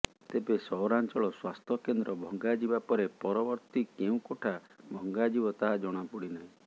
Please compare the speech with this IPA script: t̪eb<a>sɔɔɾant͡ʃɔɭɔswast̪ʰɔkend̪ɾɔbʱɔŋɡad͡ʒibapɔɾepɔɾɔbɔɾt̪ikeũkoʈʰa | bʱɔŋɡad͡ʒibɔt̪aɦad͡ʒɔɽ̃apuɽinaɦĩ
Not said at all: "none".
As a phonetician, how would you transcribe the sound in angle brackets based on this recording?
e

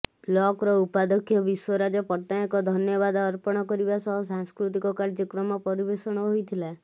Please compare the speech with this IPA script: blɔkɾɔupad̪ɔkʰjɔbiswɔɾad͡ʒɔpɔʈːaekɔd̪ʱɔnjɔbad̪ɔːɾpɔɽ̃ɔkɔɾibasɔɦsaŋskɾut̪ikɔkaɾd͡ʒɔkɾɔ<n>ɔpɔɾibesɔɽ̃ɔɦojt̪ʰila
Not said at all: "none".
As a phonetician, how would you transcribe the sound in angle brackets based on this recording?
m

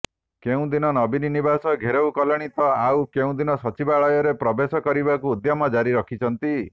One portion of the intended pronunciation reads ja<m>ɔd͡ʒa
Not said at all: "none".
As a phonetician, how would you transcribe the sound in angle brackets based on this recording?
m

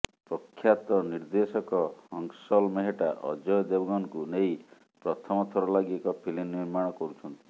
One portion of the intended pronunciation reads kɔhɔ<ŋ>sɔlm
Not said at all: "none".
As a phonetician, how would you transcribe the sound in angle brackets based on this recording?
ŋ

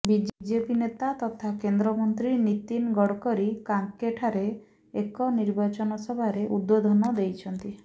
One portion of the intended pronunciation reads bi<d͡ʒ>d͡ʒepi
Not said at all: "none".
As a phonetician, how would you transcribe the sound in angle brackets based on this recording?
d͡ʒ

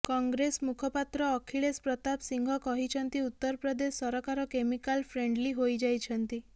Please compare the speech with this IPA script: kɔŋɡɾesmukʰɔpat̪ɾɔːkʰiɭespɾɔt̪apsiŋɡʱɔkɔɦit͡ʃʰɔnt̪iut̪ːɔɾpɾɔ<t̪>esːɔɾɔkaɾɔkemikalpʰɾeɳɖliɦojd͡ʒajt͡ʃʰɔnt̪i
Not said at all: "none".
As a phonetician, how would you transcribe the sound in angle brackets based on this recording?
d̪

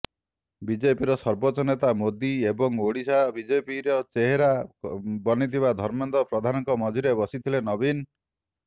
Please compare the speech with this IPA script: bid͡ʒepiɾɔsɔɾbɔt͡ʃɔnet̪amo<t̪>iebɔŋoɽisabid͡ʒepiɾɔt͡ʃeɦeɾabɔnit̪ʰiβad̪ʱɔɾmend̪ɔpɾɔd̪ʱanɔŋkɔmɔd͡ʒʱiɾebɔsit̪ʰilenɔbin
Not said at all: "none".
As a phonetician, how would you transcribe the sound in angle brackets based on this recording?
d̪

